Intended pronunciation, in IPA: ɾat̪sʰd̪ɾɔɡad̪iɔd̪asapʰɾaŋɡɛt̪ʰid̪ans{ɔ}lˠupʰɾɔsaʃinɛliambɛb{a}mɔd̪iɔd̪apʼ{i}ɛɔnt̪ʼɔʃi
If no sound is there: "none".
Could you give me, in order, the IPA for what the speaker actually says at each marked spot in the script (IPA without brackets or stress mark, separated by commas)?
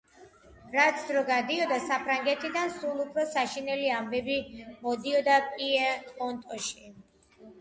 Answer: u, i, i